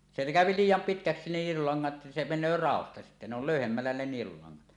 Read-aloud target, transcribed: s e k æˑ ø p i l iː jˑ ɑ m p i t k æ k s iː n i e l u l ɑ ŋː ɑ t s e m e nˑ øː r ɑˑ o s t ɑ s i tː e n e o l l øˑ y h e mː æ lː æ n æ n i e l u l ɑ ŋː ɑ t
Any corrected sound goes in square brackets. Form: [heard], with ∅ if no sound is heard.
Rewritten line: s e k æˑ ø p i l iː jˑ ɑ m p i t k æ k s [i] n i e l u l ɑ ŋː ɑ t s e m e nˑ øː r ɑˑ o s t ɑ s i tː [æ] n e o l l øˑ y h e mː æ lː æ n [e] n i e l u l ɑ ŋː ɑ t